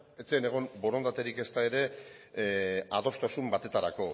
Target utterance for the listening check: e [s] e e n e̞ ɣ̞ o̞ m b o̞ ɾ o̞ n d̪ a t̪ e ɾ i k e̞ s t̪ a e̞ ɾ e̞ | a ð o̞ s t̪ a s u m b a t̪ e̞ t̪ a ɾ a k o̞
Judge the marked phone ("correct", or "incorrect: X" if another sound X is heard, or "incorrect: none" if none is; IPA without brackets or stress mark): incorrect: t͡s